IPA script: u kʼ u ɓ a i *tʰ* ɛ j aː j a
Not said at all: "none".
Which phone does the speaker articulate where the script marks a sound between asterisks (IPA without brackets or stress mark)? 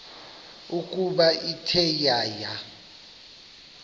tʰ